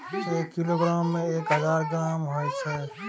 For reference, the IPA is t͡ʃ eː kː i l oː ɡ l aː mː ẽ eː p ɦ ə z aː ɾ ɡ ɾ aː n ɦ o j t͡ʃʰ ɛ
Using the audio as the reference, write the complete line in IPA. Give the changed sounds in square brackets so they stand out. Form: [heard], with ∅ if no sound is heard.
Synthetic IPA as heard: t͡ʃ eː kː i l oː ɡ [ɾ] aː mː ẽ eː [k] ɦ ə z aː ɾ ɡ ɾ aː [m] ɦ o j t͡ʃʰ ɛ